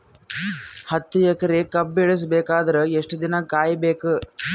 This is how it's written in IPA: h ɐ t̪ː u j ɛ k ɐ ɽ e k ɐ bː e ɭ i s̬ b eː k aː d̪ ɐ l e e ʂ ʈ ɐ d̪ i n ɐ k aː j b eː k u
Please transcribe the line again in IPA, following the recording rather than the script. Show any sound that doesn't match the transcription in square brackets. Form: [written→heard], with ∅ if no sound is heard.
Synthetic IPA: h ɐ t̪ː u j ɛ k ɐ [ɽ→ɾ] e k ɐ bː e ɭ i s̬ b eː k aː d̪ ɐ [l→ɾ] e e ʂ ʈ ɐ d̪ i n ɐ k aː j b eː k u